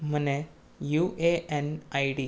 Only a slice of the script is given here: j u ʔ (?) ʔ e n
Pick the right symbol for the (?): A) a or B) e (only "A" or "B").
B